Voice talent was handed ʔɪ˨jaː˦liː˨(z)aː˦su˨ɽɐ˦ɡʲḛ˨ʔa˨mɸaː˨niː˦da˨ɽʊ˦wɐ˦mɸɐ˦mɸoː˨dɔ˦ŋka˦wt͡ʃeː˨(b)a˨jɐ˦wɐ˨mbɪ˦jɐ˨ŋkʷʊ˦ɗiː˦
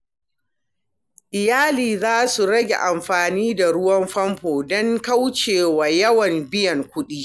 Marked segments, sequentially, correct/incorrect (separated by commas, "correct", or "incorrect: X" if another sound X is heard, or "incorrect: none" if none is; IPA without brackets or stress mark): correct, incorrect: w